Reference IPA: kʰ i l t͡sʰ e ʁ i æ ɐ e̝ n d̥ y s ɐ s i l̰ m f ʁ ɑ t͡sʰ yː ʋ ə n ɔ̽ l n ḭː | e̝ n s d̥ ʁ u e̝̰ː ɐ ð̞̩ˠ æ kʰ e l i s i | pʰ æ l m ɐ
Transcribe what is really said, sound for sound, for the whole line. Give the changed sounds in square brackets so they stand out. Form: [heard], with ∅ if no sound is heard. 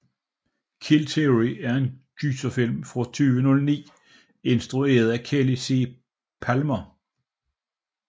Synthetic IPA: kʰ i l t͡sʰ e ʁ i æ ɐ e̝ n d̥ y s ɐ [f] i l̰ m f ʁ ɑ t͡sʰ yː ʋ ə n ɔ̽ l n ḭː | e̝ n s d̥ ʁ u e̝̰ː ɐ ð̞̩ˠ æ kʰ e l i s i | pʰ æ l m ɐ